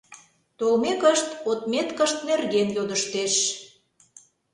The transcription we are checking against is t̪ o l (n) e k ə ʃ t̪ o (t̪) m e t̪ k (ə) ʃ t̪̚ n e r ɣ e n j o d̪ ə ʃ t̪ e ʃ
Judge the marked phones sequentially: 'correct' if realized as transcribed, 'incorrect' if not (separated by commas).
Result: incorrect, correct, correct